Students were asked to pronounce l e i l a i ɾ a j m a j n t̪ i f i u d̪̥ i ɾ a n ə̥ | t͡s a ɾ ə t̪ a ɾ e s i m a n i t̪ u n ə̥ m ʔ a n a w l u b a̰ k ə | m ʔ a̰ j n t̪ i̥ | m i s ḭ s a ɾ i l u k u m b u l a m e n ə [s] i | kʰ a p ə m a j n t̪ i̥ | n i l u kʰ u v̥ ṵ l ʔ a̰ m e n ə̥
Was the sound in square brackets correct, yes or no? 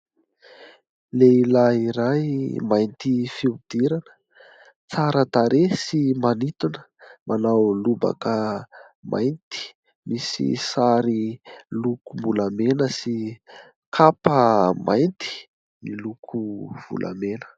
yes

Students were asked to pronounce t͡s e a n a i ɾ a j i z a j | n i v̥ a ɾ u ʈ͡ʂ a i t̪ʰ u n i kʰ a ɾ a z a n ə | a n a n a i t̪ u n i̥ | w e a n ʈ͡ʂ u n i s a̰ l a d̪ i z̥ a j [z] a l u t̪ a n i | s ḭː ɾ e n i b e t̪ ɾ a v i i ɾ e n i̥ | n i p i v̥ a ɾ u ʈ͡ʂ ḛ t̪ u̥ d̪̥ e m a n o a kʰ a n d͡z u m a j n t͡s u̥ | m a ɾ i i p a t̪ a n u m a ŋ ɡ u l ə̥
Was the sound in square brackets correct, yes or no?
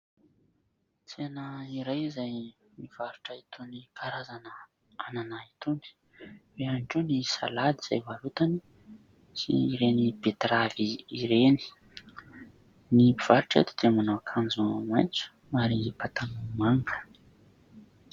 no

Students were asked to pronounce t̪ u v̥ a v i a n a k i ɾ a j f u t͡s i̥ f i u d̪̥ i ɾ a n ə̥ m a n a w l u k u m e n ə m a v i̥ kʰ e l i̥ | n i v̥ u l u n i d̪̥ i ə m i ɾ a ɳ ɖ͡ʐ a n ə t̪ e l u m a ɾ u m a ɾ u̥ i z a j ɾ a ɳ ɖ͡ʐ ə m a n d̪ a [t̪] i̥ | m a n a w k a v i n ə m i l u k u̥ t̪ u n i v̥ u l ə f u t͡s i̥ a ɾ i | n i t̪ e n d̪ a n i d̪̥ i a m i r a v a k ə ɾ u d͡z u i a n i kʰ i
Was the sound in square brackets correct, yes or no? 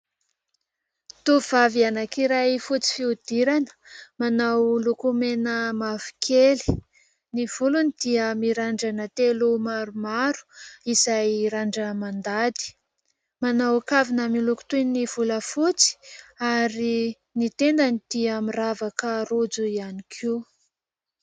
no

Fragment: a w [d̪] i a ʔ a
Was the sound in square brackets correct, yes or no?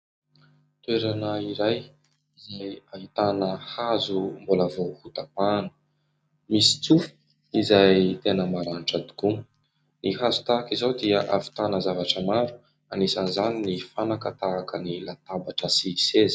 yes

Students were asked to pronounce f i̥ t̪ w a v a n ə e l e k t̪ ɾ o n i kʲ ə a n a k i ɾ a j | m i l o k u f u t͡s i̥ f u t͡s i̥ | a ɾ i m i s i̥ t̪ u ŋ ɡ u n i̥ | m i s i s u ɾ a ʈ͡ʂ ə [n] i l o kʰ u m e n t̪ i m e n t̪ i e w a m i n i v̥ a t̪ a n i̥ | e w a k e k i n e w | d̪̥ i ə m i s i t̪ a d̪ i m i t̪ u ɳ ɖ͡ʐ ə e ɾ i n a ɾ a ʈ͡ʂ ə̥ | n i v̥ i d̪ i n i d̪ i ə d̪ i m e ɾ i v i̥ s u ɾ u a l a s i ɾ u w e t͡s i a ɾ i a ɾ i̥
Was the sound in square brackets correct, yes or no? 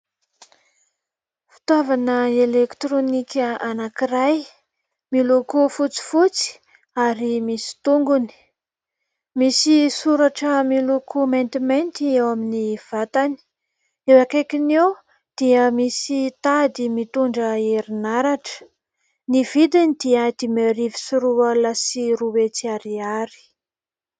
no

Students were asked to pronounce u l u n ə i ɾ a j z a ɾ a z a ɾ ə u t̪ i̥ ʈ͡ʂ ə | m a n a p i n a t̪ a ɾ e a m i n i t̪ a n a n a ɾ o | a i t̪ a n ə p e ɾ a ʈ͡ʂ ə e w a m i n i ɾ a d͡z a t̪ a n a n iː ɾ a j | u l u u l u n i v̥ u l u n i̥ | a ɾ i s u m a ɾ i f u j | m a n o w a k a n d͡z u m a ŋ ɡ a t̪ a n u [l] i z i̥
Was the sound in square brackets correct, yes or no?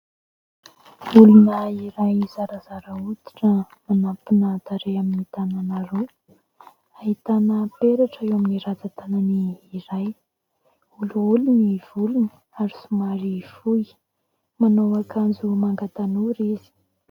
no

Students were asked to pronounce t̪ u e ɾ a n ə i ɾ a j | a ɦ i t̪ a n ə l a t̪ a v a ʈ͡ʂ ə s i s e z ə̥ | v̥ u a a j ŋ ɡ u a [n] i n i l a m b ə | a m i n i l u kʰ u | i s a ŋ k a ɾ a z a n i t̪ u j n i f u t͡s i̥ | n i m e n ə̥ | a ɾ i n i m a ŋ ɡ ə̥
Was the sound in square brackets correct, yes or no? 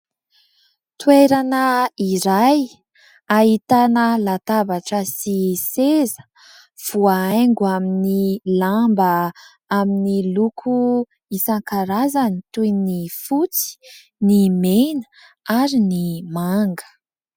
no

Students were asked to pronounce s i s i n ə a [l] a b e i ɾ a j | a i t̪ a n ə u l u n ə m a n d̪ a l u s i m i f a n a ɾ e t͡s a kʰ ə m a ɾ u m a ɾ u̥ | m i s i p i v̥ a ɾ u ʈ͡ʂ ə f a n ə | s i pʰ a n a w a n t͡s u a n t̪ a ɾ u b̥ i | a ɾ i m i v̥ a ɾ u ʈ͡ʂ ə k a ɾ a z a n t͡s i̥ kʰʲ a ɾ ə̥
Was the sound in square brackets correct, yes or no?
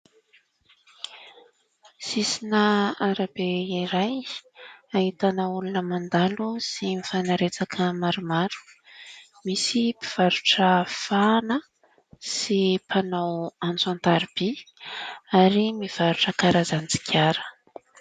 no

